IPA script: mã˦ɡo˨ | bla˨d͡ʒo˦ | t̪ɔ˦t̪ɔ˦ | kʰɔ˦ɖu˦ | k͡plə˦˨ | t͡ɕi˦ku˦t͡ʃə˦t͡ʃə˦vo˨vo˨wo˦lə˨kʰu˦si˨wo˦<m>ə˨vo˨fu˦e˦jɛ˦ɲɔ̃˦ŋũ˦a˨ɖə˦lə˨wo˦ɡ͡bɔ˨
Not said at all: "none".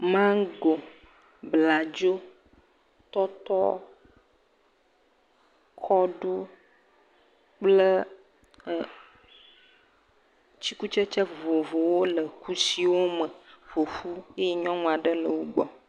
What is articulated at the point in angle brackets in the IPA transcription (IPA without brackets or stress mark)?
m